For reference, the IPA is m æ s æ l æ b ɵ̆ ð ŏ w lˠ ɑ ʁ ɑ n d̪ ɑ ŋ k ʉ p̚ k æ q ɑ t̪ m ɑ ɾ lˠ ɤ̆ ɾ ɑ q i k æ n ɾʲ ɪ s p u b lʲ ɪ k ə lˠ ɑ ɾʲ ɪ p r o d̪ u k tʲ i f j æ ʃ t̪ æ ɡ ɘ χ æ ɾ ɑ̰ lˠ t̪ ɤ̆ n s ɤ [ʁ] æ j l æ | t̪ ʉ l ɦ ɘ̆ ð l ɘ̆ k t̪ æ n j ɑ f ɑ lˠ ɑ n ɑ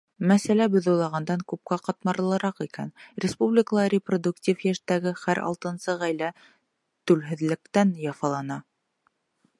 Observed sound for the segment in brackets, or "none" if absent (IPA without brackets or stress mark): ʁ